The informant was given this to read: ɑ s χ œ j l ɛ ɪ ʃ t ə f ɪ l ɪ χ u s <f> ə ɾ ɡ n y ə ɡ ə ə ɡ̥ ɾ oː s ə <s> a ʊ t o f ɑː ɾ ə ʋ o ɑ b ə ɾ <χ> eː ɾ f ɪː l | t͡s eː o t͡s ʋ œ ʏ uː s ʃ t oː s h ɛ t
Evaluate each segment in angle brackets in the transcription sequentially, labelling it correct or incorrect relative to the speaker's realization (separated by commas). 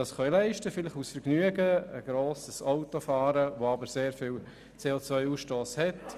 correct, correct, incorrect